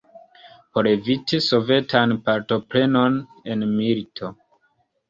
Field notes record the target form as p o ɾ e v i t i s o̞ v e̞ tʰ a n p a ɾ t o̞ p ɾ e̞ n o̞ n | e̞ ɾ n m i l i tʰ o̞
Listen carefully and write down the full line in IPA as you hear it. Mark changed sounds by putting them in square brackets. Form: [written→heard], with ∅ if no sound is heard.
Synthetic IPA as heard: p o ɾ e v i t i s o̞ v e̞ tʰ a n p a ɾ t o̞ p ɾ e̞ n o̞ n | e̞ [ɾ→∅] n m i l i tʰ o̞